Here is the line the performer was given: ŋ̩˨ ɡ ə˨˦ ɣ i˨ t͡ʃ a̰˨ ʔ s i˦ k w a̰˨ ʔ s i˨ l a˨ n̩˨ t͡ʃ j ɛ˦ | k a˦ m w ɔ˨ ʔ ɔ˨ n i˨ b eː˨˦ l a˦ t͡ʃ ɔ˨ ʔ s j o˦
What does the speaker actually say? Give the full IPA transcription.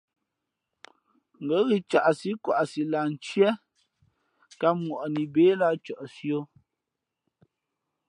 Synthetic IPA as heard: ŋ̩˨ ɡ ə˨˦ ɣ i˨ t͡ʃ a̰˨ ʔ s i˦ k w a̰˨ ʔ s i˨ l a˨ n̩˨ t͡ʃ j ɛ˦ | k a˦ m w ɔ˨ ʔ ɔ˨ n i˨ b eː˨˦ l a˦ t͡ʃ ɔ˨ ʔ s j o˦

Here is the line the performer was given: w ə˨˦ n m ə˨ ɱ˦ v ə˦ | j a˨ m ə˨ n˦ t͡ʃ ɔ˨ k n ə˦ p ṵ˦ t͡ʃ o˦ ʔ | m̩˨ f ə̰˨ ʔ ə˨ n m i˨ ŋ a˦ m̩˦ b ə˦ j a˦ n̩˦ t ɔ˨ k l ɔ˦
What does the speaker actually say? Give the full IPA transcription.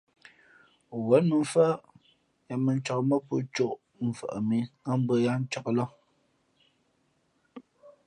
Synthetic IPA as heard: w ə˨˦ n m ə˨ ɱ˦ f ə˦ | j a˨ m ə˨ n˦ t͡ʃ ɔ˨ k m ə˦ p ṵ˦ t͡ʃ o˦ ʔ | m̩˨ f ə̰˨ ʔ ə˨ m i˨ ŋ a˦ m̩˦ b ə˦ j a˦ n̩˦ t͡ʃ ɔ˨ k l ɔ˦

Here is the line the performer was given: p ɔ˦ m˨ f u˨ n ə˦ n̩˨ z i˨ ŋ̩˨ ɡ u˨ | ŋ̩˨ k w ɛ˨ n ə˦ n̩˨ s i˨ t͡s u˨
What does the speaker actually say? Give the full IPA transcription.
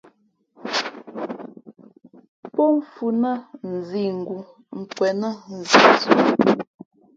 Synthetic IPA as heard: p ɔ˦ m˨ f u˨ n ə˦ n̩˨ z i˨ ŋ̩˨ ɡ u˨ | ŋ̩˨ k w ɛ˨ n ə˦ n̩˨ z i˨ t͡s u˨

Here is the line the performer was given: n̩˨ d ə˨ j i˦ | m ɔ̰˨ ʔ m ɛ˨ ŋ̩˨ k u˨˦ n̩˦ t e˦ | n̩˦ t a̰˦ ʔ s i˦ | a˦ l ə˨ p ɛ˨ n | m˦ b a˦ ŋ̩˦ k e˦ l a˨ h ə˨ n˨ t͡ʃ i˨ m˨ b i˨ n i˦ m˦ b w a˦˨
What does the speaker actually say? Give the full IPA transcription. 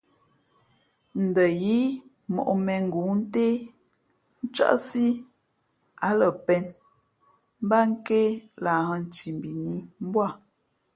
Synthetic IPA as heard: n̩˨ d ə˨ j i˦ | m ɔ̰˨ ʔ m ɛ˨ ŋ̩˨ ɡ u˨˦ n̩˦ t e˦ | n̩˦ t͡ʃ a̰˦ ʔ s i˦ | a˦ l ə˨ p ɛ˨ n | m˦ b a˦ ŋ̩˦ k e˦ l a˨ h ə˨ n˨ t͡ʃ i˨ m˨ b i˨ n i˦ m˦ b w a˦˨

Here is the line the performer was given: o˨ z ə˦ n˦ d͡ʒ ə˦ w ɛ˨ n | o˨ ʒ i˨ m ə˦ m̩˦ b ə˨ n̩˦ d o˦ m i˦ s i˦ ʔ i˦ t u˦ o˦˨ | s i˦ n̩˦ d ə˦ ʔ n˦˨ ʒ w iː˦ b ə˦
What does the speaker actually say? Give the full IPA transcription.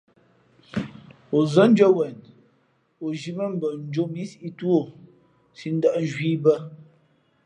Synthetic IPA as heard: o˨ z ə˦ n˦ d͡ʒ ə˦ w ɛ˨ n | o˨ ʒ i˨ m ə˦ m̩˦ b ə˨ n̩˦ d͡ʒ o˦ m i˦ s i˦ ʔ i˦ t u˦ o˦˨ | s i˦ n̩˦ d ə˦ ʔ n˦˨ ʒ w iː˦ b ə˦

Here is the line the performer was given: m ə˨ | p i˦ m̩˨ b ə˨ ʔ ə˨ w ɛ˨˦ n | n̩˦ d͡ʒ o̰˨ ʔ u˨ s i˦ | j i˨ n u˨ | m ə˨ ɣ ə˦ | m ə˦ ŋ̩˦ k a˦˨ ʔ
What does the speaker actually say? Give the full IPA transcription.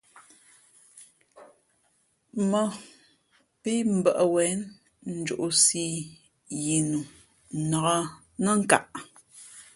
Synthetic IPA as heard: m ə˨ | p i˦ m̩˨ b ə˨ ʔ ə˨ w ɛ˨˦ n | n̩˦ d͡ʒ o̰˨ ʔ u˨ s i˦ | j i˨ n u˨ | n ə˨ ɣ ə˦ | n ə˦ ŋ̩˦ k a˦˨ ʔ

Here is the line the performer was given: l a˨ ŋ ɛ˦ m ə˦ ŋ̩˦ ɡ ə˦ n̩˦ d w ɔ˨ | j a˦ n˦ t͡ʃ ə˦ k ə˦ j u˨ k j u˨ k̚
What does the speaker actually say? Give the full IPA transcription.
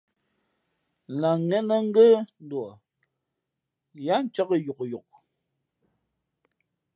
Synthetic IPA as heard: l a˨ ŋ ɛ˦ n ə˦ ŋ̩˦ ɡ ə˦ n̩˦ d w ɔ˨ | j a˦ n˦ t͡ʃ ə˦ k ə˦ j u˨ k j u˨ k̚

